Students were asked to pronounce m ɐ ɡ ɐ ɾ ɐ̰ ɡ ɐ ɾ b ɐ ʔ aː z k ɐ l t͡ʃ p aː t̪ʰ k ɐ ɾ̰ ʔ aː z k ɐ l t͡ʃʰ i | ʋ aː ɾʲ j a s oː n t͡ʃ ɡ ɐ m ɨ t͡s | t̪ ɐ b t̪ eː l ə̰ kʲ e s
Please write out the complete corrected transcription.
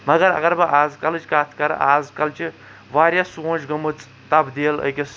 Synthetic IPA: m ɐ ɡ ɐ ɾ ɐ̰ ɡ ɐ ɾ b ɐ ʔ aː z k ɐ l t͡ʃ k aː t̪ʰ k ɐ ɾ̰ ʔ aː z k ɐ l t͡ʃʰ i | ʋ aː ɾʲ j a s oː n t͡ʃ ɡ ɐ m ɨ t͡s | t̪ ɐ b d̪ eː l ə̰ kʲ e s